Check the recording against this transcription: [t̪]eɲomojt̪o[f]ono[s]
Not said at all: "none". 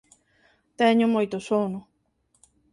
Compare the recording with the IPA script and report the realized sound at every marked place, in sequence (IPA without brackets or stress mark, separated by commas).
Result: t̪, s, none